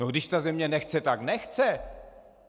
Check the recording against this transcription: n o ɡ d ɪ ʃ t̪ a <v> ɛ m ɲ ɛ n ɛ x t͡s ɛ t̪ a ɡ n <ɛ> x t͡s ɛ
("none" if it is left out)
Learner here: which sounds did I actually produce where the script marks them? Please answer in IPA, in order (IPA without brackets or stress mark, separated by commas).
z, ɛ